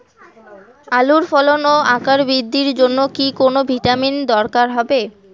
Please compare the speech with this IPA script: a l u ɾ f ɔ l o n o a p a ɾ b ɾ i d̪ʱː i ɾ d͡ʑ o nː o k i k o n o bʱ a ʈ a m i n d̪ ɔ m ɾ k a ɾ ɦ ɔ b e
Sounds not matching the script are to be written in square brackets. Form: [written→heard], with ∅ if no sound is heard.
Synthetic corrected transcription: a l u ɾ f ɔ l o n o a [p→k] a ɾ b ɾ i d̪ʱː i ɾ d͡ʑ o nː o k i k o n o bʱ [a→i] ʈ a m i n d̪ ɔ [m→∅] ɾ k a ɾ ɦ ɔ b e